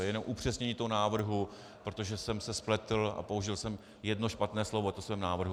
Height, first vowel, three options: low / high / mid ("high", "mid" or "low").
mid